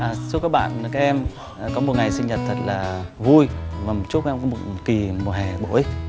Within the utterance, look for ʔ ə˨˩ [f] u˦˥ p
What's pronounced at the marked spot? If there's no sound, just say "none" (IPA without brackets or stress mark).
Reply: s